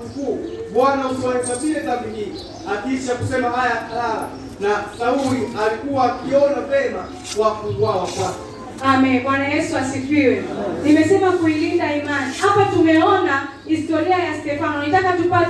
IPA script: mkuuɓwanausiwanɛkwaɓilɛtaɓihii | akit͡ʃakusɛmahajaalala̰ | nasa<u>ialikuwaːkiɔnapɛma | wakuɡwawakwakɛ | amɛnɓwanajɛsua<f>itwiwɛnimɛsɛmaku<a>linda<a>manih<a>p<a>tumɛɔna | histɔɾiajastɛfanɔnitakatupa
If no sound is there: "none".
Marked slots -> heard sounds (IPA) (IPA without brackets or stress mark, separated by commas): u, s, i, i, a, a